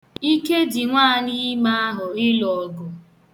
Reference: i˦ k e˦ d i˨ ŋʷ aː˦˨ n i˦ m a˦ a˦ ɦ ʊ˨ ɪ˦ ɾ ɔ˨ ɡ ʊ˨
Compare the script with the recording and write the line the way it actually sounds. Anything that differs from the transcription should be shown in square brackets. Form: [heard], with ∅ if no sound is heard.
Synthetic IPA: i˦ k e˦ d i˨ ŋʷ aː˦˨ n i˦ m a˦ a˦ ɦ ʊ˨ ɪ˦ [l] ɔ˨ ɡ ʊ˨